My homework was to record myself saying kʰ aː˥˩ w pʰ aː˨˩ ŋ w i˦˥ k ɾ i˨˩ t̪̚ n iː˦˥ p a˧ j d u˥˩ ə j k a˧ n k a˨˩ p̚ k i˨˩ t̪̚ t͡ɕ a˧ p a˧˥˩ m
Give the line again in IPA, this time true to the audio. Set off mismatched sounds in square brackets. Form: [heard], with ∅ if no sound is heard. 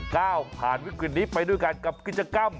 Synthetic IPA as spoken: [k] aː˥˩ w pʰ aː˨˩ [n] w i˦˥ k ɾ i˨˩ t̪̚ n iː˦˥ p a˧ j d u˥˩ ə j k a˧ n k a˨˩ p̚ k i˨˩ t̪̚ t͡ɕ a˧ [k] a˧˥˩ m